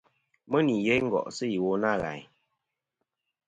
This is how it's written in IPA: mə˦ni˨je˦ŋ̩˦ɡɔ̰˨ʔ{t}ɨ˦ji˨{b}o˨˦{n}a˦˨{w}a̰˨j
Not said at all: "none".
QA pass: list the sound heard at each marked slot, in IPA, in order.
s, w, n, ɣ

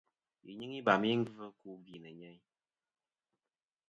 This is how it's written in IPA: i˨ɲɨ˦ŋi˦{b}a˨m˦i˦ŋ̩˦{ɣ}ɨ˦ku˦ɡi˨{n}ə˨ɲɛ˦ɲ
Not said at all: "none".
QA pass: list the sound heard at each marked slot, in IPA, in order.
b, v, n

